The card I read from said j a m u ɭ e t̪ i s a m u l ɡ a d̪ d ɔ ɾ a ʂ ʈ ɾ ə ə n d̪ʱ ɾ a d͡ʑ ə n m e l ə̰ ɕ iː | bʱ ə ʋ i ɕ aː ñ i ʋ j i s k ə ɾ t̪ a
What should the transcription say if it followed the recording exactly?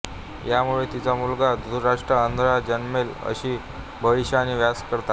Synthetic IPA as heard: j a m u ɭ e t̪ i t͡s a m u l ɡ a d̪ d u ɾ a ʂ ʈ ɾ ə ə n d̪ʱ ɾ a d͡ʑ ə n m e l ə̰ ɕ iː | bʱ ə ʋ i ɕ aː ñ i ʋ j a s k ə ɾ t̪ a

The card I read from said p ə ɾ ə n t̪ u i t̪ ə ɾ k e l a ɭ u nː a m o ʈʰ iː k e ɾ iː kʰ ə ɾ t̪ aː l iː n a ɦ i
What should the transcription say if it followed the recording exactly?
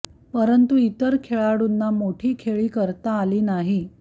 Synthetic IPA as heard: p ə ɾ ə n t̪ u i t̪ ə ɾ kʰ e ɭ a ɽ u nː a m o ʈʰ iː kʰ e ɭ iː k ə ɾ t̪ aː l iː n a ɦ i

